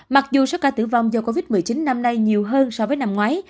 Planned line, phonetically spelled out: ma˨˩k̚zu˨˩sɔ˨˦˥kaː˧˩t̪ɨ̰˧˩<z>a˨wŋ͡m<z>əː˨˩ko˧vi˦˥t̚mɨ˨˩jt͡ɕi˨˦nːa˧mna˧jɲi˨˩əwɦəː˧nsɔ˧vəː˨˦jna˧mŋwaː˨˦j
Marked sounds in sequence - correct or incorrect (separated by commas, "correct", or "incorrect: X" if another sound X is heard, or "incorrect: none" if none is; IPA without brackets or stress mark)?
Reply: incorrect: v, correct